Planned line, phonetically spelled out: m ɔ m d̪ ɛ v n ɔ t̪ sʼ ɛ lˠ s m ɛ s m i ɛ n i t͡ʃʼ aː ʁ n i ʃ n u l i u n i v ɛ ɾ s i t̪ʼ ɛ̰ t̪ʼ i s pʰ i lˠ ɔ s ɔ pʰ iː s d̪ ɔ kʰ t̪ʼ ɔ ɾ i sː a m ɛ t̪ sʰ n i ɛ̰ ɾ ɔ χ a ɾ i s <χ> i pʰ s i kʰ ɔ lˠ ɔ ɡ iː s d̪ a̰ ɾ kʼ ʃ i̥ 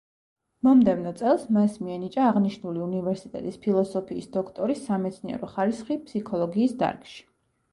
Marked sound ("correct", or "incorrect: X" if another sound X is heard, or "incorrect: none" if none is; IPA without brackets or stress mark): correct